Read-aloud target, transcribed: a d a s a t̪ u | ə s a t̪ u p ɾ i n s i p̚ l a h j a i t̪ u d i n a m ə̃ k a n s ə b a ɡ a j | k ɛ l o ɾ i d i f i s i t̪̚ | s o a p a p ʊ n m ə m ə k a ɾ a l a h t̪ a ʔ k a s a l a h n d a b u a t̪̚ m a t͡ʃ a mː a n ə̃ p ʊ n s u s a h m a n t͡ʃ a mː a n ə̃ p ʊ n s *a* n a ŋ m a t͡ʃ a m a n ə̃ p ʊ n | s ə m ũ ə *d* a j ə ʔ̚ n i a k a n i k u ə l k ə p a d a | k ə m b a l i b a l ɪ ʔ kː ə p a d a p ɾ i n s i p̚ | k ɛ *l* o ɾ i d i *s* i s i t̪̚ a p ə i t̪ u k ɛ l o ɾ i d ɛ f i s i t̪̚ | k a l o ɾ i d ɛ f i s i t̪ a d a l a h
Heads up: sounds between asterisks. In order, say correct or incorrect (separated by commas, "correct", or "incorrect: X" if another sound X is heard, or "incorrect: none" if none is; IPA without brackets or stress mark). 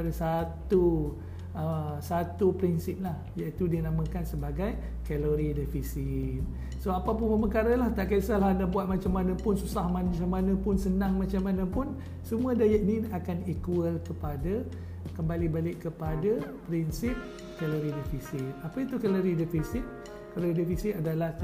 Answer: incorrect: ə, correct, correct, incorrect: f